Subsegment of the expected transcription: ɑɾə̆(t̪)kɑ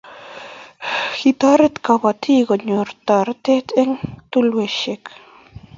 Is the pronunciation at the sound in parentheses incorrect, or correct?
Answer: correct